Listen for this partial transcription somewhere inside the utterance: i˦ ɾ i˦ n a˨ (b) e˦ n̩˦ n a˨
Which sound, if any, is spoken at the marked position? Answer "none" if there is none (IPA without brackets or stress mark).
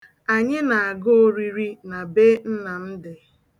b